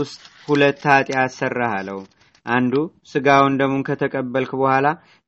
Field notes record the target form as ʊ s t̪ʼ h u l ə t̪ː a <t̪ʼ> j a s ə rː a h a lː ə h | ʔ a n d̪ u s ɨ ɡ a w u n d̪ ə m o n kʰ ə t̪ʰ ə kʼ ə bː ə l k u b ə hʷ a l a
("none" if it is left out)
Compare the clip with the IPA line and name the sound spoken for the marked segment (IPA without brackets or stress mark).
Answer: t̪ʼ